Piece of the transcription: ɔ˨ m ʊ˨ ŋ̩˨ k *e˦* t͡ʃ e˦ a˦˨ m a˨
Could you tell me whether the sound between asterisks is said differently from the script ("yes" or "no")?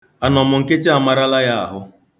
no